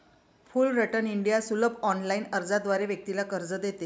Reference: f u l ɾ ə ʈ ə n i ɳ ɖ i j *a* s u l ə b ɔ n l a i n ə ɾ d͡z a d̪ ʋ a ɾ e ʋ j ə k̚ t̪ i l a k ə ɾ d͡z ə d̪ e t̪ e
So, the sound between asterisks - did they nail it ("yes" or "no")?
yes